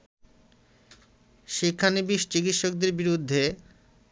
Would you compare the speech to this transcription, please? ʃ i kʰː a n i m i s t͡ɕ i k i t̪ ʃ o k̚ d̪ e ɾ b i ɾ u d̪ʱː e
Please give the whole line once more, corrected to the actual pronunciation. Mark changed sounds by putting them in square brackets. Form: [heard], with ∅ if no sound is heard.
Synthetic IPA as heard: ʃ i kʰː a n i [b] i [ʃ] t͡ɕ i k i t̪ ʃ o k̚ d̪ e ɾ b i ɾ u d̪ʱː e